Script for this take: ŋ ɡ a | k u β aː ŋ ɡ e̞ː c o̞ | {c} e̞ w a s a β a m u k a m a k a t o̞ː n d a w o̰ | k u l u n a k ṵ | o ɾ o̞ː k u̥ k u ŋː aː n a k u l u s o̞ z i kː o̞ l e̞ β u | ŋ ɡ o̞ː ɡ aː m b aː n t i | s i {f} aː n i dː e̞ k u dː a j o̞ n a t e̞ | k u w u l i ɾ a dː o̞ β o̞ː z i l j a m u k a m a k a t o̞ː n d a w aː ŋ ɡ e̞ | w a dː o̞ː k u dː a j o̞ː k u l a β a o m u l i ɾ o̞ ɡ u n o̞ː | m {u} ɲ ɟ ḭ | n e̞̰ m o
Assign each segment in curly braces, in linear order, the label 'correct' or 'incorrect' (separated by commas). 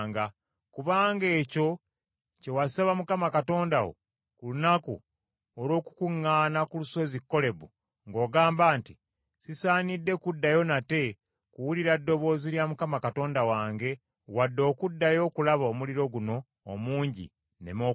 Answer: correct, incorrect, incorrect